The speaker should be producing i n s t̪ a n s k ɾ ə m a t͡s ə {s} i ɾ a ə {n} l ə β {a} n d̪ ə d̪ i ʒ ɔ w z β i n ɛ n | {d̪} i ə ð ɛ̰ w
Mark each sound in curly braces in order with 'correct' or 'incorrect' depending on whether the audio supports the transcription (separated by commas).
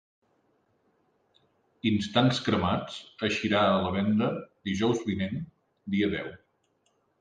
incorrect, incorrect, incorrect, correct